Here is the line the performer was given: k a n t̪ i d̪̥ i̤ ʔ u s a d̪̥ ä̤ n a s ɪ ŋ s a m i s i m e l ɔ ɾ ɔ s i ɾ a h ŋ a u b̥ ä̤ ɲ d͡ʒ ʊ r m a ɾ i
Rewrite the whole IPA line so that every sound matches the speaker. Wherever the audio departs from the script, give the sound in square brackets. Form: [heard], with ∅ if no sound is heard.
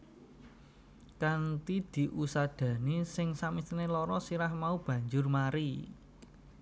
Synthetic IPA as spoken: k a n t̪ i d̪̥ i̤ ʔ u s a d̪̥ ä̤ n [i] s ɪ ŋ s a m i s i [n] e l ɔ ɾ ɔ s i ɾ a h [m] a u b̥ ä̤ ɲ d͡ʒ ʊ r m a ɾ i